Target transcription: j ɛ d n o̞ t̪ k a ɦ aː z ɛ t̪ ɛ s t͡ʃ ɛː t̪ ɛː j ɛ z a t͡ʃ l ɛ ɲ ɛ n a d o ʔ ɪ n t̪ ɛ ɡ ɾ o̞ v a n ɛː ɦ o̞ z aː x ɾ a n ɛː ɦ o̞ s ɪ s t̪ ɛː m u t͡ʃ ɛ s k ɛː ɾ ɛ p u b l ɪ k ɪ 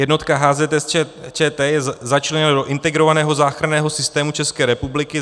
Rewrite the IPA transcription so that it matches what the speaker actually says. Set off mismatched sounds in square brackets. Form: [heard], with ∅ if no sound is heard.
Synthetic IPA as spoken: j ɛ d n o̞ t̪ k a ɦ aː z ɛ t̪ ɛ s t͡ʃ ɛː t̪ ɛː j ɛ z a t͡ʃ l ɛ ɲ ɛ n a d o ʔ ɪ n t̪ ɛ ɡ ɾ o̞ v a n ɛː ɦ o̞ z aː x ɾ a n ɛː ɦ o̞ s ɪ s t̪ ɛː m u t͡ʃ ɛ s k ɛː ɾ ɛ p u b l ɪ k ɪ